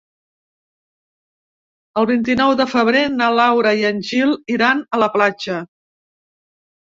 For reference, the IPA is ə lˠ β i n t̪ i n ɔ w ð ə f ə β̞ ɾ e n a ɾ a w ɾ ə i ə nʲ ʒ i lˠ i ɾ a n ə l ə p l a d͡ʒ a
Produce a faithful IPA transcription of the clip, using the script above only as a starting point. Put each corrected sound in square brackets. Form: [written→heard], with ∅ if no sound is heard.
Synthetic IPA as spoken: ə lˠ β i n t̪ i n ɔ w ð ə f ə β̞ ɾ e n a [ɾ→l] a w ɾ ə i ə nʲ ʒ i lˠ i ɾ a n ə l ə p l a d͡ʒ [a→ə]